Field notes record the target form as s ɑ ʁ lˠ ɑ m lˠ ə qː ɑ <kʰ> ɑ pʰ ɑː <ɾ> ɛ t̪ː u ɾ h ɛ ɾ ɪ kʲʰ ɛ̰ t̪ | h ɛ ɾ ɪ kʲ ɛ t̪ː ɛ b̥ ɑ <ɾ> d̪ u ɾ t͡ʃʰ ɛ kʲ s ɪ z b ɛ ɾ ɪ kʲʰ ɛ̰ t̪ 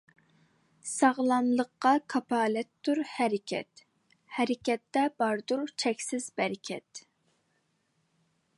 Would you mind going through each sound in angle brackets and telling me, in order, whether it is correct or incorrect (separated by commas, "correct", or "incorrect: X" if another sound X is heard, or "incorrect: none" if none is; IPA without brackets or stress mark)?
correct, incorrect: l, correct